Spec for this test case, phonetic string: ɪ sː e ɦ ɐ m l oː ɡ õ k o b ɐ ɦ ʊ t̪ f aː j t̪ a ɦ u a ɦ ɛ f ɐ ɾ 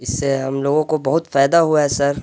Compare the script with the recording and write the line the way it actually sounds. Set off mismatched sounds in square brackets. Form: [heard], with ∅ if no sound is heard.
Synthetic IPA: ɪ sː e ɦ ɐ m l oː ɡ õ k o b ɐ ɦ ʊ t̪ f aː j [d̪] a ɦ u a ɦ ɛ [s] ɐ ɾ